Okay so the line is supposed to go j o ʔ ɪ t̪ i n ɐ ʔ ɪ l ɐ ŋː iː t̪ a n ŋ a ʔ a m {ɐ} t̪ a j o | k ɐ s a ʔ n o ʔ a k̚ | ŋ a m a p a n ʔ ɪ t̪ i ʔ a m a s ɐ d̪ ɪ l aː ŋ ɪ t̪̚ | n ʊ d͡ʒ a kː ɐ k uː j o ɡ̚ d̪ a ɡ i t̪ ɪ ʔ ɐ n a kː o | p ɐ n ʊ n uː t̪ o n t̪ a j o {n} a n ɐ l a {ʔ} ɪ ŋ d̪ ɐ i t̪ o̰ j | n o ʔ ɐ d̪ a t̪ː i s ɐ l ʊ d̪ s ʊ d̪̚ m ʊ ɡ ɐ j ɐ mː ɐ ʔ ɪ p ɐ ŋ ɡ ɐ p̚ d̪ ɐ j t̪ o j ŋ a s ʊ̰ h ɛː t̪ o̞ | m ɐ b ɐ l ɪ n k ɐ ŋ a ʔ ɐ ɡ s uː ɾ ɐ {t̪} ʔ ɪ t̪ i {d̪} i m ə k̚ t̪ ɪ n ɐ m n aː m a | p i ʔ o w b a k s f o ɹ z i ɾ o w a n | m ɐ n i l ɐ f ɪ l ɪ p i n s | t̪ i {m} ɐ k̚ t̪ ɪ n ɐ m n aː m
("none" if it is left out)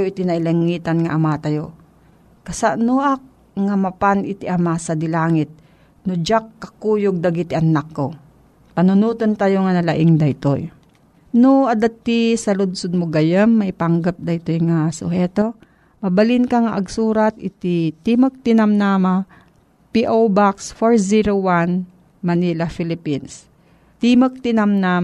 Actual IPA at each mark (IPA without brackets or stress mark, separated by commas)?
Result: a, ŋ, ʔ, t̪, t̪, m